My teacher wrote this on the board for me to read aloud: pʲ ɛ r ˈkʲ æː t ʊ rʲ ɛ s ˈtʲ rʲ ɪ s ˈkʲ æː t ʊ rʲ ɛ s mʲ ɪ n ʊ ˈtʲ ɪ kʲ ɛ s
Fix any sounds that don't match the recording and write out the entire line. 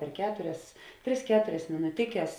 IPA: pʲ ɛ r ˈkʲ æː t ʊ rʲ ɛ s ˈtʲ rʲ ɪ s ˈkʲ æː t ʊ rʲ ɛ s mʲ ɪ n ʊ ˈtʲ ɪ kʲ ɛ s